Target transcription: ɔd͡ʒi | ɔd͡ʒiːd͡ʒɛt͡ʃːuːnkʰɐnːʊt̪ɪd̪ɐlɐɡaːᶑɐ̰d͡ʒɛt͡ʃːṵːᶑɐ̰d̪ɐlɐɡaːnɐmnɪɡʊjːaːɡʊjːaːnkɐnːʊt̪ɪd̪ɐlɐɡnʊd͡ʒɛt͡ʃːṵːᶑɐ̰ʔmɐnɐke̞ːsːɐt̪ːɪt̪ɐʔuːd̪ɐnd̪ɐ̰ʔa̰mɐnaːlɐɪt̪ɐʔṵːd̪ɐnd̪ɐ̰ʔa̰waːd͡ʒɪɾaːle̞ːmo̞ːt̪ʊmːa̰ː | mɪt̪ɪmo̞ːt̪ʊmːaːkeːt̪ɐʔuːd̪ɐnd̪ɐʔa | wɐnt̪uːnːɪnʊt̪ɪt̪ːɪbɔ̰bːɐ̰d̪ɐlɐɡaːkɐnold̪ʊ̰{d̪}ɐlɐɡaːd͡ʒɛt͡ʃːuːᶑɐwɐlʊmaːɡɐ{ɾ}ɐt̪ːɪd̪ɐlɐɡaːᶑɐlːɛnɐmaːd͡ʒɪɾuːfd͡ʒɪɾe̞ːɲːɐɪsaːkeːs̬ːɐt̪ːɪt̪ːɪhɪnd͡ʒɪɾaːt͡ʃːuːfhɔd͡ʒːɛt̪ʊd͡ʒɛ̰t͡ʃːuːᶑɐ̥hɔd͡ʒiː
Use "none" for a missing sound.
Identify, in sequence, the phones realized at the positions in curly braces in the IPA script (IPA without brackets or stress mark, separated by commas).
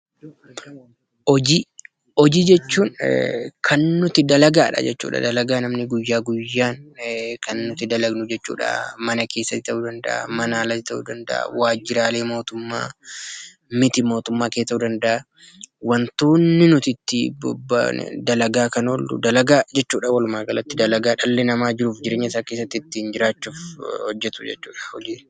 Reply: d̪, l